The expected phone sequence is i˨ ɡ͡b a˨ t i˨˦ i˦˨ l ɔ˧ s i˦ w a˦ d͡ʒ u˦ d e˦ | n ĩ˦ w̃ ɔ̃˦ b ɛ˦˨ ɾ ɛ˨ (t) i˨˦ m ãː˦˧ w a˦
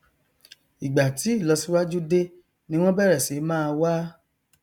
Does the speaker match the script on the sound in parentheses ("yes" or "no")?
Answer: no